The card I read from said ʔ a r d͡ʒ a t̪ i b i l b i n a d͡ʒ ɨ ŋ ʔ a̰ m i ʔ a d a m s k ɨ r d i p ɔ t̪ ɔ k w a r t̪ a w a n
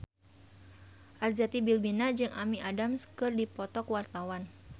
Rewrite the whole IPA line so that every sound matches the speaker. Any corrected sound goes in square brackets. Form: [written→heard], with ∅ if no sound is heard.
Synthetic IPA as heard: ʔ a r d͡ʒ a t̪ i b i l b i n a d͡ʒ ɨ ŋ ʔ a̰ m i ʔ a d a m s k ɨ r d i p ɔ t̪ ɔ k w a r t̪ a w a n